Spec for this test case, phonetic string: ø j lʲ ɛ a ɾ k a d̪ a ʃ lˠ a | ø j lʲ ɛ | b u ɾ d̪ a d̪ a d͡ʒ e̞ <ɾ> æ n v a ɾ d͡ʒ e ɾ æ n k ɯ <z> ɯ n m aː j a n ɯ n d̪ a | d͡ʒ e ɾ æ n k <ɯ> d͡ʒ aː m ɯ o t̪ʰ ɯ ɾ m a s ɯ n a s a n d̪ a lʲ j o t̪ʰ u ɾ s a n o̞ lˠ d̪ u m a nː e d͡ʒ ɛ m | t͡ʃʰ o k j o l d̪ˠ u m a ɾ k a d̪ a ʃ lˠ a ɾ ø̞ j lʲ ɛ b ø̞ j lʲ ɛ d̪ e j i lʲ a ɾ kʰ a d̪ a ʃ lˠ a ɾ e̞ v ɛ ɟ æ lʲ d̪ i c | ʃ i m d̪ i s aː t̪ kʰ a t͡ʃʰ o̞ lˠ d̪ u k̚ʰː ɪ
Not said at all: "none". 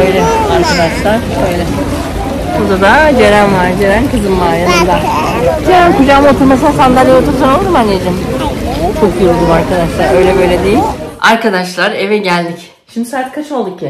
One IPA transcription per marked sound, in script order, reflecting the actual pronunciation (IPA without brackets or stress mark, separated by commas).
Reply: ɾ, z, u